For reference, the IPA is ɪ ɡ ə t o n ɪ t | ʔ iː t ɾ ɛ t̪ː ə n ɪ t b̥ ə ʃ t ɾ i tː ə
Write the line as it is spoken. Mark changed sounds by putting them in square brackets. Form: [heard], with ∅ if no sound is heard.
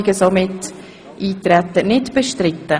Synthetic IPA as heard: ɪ ɡ ə [s] o [m] ɪ t | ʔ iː t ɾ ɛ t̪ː ə n ɪ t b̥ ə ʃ t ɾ [ɪ] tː ə